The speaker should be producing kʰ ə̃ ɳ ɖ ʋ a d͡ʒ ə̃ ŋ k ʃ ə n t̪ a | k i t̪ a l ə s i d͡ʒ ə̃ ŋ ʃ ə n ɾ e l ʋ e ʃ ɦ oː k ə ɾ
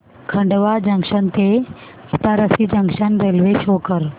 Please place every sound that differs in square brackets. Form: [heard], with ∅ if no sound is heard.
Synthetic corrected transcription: kʰ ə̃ ɳ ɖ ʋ a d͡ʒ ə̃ ŋ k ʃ ə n t̪ [e] | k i t̪ a [ɾ] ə s i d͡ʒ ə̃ ŋ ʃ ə n ɾ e l ʋ e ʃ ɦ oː k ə ɾ